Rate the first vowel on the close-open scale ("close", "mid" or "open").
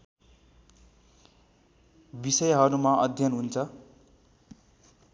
close